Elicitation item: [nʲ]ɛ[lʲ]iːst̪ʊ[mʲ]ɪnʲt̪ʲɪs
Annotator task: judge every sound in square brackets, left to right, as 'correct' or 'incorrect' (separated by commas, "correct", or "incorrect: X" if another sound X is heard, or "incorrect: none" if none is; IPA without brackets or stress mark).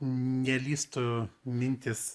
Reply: correct, correct, correct